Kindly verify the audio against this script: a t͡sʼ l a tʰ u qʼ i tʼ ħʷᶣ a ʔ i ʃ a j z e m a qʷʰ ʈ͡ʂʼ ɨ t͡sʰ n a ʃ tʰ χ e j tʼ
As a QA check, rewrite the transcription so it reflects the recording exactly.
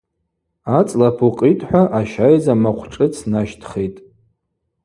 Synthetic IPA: a t͡sʼ l a pʰ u qʼ i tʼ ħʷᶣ a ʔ a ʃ a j z a m a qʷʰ ʈ͡ʂʼ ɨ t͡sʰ n a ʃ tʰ χ e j tʼ